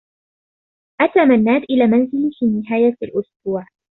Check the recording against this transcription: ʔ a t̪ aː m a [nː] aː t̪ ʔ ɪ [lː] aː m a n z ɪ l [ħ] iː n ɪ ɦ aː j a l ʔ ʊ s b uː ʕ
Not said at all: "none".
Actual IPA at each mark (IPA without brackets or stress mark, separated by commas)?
nː, l, f